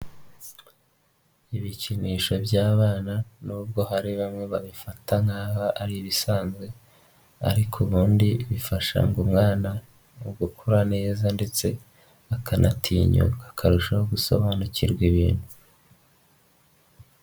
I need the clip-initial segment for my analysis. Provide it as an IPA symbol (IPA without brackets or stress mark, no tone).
i